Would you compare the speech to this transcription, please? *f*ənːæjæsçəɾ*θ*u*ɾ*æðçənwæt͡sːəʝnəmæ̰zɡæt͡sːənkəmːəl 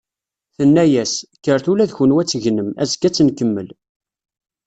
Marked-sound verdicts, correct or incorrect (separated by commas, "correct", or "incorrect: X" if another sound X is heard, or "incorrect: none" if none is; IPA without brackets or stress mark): incorrect: θ, correct, incorrect: l